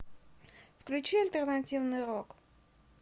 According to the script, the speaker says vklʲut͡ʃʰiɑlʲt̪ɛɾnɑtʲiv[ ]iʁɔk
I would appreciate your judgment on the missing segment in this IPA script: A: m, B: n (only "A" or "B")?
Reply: B